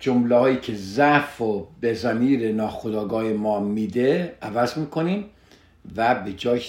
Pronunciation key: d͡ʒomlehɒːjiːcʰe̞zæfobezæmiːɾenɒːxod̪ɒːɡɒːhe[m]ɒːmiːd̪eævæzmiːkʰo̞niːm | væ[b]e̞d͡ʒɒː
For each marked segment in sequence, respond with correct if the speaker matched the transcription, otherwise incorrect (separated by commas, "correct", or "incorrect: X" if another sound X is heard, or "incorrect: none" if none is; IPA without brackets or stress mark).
correct, correct